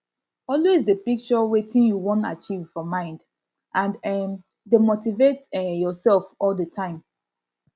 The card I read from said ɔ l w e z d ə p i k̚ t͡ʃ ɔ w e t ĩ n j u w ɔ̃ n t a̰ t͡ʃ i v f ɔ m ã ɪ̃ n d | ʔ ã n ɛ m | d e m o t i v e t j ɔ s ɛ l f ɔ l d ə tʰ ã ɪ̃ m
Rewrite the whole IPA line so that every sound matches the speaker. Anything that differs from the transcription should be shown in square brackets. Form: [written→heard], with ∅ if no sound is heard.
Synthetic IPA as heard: ɔ l w e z d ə p i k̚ t͡ʃ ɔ w e t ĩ n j u w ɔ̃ n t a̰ t͡ʃ i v f ɔ m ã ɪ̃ n d | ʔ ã n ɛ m | d e m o t i v e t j ɔ s ɛ l f ɔ l d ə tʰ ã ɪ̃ m